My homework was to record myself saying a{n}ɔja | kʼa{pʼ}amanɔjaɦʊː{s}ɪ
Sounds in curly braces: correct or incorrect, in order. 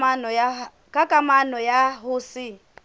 correct, incorrect: kʼ, correct

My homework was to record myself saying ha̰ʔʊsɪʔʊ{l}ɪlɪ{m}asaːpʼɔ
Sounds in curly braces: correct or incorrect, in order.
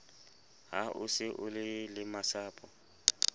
correct, correct

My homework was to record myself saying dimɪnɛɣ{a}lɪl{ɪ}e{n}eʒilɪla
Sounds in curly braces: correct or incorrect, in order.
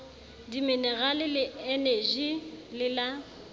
correct, correct, correct

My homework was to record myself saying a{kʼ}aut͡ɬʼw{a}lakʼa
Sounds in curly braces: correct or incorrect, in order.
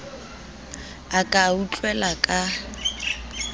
correct, incorrect: ɛ

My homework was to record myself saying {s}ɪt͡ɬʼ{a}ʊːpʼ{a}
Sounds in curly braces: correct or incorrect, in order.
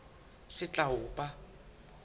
correct, correct, correct

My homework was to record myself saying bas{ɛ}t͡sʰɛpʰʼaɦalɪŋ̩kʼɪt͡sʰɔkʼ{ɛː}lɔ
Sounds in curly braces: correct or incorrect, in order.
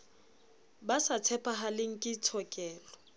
incorrect: a, correct

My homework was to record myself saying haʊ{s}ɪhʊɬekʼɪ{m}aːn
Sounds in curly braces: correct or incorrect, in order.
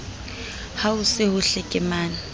correct, correct

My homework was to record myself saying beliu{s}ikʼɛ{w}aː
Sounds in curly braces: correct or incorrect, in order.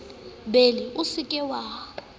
correct, correct

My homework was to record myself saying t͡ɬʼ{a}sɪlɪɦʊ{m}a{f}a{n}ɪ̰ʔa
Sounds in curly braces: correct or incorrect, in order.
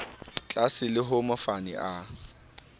correct, correct, correct, correct

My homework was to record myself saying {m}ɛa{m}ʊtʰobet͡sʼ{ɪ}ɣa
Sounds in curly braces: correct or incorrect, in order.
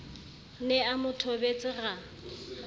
incorrect: n, correct, correct

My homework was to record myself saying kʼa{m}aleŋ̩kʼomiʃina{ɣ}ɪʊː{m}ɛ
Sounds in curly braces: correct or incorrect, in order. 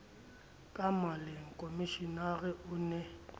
correct, correct, incorrect: n

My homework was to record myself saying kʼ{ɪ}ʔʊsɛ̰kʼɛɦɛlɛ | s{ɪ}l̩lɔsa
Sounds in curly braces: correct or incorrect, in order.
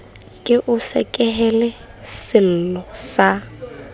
correct, correct

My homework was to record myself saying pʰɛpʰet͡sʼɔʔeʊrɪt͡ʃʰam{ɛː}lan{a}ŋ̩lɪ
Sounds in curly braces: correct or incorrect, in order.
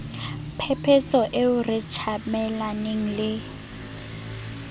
incorrect: ɛ, incorrect: e

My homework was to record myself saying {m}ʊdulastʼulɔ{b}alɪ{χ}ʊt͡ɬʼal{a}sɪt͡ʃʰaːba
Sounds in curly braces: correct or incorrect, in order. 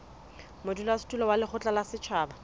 correct, incorrect: w, correct, correct

